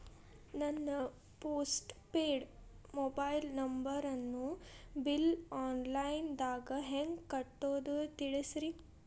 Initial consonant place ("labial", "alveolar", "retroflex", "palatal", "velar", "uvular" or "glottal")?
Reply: alveolar